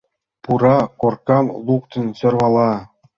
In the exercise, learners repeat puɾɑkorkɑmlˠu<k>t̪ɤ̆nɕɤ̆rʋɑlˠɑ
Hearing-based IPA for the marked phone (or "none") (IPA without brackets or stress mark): k